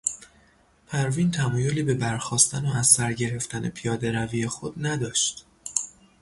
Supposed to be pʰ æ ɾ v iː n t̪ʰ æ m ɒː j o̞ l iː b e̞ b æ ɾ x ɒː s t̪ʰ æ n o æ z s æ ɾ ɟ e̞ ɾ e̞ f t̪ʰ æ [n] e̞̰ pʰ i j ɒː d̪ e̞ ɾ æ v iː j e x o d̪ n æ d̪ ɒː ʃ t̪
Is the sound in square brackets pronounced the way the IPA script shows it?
yes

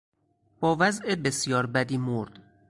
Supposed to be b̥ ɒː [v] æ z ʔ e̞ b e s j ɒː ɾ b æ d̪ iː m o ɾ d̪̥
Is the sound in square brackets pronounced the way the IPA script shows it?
yes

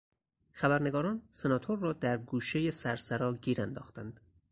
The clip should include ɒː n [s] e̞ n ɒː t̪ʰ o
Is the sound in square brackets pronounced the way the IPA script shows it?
yes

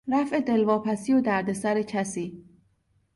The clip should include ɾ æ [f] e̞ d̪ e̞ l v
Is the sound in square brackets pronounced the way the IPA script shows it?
yes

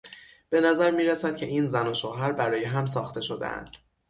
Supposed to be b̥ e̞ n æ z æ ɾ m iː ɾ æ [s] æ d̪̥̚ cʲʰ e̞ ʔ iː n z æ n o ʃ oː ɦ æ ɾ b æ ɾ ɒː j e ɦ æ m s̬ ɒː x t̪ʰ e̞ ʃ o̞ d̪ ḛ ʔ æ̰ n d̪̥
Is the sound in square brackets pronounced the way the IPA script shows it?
yes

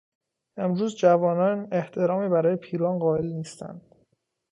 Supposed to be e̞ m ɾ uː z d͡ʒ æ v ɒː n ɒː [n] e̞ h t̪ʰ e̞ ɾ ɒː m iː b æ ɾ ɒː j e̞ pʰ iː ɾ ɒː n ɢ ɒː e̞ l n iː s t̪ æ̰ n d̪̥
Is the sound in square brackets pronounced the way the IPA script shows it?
yes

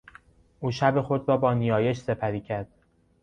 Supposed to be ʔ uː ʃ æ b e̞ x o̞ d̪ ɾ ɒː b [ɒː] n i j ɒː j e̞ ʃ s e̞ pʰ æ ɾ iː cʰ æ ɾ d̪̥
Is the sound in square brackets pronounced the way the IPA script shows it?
yes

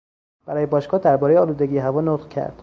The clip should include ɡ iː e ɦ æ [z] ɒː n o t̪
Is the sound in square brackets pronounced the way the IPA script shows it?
no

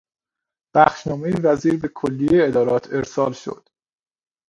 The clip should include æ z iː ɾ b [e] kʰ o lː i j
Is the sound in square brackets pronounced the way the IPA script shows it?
yes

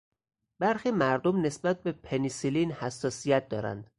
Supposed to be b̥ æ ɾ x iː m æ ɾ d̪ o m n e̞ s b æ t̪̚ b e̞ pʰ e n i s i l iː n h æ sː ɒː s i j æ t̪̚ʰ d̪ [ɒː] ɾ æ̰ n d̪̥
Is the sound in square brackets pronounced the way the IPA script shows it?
yes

